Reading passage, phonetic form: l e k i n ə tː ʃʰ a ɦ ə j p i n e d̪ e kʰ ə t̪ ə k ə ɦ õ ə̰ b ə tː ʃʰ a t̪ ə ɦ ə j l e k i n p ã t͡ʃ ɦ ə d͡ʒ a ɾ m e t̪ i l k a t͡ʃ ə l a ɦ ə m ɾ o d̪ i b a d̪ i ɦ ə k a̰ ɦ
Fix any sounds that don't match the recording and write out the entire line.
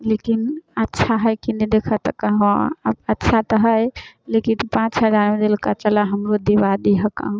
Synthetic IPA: l e k i n ə tː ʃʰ a ɦ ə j k i n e d̪ e kʰ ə t̪ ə k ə ɦ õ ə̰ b ə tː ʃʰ a t̪ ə ɦ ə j l e k i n p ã t͡ʃ ɦ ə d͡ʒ a ɾ m e d̪ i l k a t͡ʃ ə l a ɦ ə m ɾ o d̪ i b a d̪ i ɦ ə k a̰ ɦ

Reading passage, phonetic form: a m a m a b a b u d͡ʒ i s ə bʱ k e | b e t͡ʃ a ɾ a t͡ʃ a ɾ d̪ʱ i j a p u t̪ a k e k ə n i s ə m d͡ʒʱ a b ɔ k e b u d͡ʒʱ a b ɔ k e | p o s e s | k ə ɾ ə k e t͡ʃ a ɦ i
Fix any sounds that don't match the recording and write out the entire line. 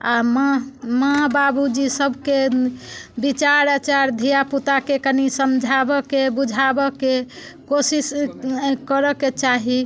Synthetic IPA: a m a m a b a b u d͡ʒ i s ə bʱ k e | b i t͡ʃ a ɾ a t͡ʃ a ɾ d̪ʱ i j a p u t̪ a k e k ə n i s ə m d͡ʒʱ a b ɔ k e b u d͡ʒʱ a b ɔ k e | k o s i s | k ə ɾ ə k e t͡ʃ a ɦ i

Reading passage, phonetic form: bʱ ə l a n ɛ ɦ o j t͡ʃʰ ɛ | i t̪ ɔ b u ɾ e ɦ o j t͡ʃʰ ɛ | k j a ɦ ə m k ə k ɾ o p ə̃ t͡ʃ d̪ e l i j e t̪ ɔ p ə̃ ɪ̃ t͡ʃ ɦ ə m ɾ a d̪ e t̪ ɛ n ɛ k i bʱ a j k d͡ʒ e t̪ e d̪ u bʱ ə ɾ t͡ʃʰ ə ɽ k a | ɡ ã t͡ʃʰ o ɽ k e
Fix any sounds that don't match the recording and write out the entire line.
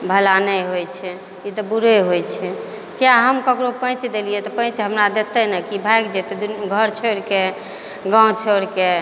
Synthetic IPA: bʱ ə l a n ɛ ɦ o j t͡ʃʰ ɛ | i t̪ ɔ b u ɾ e ɦ o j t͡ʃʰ ɛ | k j a ɦ ə m k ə k ɾ o p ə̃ t͡ʃ d̪ e l i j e t̪ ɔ p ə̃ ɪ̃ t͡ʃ ɦ ə m ɾ a d̪ e t̪ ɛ n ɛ k i bʱ a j k d͡ʒ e t̪ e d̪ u ɡʱ ə ɾ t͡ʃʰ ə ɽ k e | ɡ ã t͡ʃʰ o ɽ k e

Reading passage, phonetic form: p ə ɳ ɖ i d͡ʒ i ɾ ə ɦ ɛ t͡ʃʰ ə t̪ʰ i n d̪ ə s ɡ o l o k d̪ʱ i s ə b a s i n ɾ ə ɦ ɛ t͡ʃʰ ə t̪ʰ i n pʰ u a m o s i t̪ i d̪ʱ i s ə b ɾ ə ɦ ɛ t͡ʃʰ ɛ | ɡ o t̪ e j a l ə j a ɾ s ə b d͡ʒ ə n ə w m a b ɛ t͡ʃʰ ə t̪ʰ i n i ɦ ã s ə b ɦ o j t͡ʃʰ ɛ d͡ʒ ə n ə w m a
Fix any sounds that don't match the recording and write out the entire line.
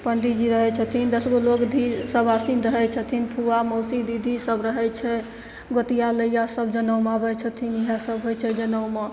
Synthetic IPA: p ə ɳ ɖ i d͡ʒ i ɾ ə ɦ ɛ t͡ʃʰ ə t̪ʰ i n d̪ ə s ɡ o l o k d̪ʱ i s ə b a s i n ɾ ə ɦ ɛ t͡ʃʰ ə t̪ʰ i n pʰ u a m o s i d̪ i d̪ʱ i s ə b ɾ ə ɦ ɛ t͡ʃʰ ɛ | ɡ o t̪ i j a l ə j a s ə b d͡ʒ ə n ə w m a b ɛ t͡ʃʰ ə t̪ʰ i n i ɦ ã s ə b ɦ o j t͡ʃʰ ɛ d͡ʒ ə n ə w m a

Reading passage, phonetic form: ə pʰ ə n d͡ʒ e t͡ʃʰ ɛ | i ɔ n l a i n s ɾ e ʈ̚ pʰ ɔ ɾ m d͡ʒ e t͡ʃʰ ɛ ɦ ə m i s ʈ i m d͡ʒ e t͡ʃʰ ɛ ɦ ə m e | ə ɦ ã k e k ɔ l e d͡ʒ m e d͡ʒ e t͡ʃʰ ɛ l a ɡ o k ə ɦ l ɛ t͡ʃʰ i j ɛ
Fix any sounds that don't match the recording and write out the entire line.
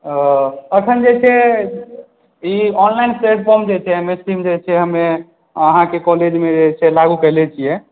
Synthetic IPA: ə kʰ ə n d͡ʒ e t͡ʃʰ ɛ | i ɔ n l a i n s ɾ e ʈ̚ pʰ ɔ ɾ m d͡ʒ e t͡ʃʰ ɛ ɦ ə m e s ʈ i m d͡ʒ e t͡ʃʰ ɛ ɦ ə m e | ə ɦ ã k e k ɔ l e d͡ʒ m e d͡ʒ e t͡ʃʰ ɛ l a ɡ u k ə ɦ l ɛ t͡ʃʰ i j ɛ

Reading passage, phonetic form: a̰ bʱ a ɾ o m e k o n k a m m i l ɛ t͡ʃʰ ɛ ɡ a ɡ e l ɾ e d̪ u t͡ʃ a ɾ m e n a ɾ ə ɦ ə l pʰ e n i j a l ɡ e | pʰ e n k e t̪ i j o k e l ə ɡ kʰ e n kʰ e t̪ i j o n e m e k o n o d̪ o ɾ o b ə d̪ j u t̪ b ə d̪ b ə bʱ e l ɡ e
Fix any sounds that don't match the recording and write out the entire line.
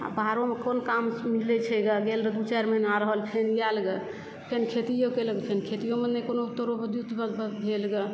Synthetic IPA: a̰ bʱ a ɾ o m e k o n k a m m i l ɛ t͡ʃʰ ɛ ɡ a ɡ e l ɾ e d̪ u t͡ʃ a ɾ m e n a ɾ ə ɦ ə l pʰ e n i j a l ɡ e | pʰ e n kʰ e t̪ i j o k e l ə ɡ pʰ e n kʰ e t̪ i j o m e n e k o n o t̪ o ɾ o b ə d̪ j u t̪ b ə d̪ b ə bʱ e l ɡ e

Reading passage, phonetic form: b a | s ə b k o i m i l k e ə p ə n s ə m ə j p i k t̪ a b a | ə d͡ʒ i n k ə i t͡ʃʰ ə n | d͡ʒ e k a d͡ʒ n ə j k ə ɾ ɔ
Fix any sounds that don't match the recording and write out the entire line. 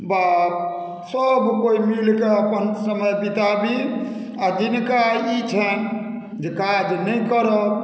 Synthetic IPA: b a | s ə b k o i m i l k e ə p ə n s ə m ə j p i t̪ a b i | a d͡ʒ i n k a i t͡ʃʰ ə n | d͡ʒ e k a d͡ʒ n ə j k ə ɾ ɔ

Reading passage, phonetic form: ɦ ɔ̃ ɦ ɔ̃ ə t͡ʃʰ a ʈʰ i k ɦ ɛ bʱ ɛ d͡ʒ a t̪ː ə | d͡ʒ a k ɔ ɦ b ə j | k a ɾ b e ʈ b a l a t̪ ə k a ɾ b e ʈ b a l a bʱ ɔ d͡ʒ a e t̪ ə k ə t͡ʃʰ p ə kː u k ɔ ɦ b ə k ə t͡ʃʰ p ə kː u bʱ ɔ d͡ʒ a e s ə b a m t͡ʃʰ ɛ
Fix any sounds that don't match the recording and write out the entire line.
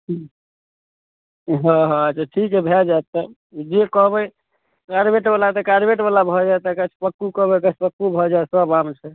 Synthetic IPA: ɦ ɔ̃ ɦ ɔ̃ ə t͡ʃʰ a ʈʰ i k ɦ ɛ bʱ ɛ d͡ʒ a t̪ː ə | d͡ʒ e k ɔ ɦ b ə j | k a ɾ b e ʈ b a l a t̪ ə k a ɾ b e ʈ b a l a bʱ ɔ d͡ʒ a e t̪ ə k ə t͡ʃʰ p ə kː u k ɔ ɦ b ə k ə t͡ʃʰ p ə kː u bʱ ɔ d͡ʒ a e s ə b a m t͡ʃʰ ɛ

